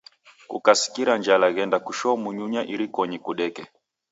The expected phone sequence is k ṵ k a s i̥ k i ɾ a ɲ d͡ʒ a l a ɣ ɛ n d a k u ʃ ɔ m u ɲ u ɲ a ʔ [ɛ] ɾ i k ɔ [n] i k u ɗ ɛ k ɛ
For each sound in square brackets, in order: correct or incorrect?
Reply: incorrect: i, incorrect: ɲ

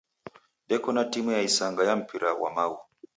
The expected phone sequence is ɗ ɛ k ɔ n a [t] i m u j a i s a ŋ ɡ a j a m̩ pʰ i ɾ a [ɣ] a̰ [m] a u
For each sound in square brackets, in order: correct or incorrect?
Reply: correct, incorrect: w, correct

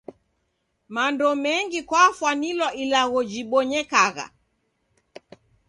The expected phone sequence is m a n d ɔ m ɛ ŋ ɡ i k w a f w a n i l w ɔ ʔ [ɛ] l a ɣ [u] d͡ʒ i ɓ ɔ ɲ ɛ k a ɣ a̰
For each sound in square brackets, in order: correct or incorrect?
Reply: incorrect: i, incorrect: ɔ

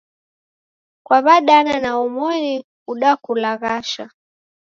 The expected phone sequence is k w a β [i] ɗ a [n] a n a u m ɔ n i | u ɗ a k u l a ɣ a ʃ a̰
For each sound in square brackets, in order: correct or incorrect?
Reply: incorrect: a, correct

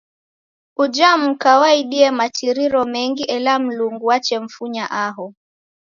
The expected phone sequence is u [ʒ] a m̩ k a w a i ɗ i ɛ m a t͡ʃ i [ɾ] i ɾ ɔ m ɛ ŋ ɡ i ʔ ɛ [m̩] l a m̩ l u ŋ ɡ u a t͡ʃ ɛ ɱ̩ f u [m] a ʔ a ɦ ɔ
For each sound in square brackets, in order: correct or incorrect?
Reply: incorrect: d͡ʒ, correct, incorrect: none, incorrect: ɲ

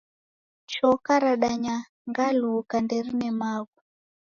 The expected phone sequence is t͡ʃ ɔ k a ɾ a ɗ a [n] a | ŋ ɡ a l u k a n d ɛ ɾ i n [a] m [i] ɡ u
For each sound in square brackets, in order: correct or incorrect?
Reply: incorrect: ɲ, incorrect: ɛ, incorrect: a

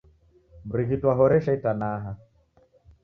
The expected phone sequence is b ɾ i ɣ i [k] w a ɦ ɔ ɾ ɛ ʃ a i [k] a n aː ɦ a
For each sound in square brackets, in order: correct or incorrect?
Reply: incorrect: t, incorrect: t

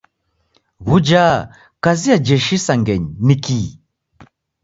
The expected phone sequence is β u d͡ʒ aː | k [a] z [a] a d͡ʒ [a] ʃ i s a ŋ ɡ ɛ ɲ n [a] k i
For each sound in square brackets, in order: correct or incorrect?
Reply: correct, incorrect: i, incorrect: ɛ, incorrect: i

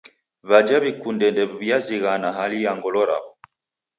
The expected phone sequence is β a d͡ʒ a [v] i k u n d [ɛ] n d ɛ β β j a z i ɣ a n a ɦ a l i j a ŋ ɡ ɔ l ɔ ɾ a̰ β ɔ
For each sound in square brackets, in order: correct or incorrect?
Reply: incorrect: β, correct

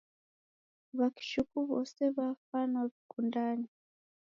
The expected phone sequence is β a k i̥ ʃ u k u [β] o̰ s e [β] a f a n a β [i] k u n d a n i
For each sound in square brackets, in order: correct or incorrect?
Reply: correct, correct, correct

